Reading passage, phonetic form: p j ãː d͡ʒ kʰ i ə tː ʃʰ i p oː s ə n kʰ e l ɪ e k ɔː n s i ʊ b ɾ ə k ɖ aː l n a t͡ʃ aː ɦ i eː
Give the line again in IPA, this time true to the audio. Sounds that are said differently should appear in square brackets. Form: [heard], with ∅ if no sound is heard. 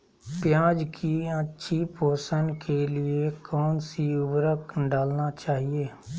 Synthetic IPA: p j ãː d͡ʒ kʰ i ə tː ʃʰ i p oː s ə n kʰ e l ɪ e k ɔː n s i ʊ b ɾ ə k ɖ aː l n a t͡ʃ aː ɦ i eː